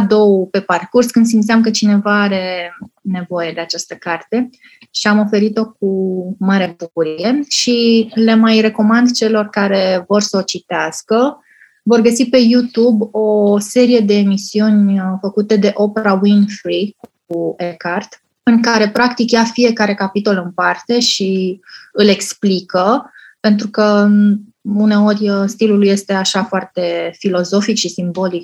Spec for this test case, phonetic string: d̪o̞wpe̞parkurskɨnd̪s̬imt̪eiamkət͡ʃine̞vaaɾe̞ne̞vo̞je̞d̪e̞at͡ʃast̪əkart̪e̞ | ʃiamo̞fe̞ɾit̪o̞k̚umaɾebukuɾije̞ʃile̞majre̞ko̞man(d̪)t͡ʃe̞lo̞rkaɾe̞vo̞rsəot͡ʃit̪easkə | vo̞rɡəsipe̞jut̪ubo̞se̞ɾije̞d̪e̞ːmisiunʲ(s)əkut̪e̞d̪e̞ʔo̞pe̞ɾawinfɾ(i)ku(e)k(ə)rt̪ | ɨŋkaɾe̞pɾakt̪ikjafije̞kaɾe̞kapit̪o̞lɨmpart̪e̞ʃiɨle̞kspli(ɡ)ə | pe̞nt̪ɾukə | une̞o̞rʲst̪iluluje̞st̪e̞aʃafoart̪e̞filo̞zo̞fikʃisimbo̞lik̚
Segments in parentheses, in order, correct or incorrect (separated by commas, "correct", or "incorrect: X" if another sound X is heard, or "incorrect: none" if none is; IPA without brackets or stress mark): correct, incorrect: f, correct, correct, incorrect: a, incorrect: k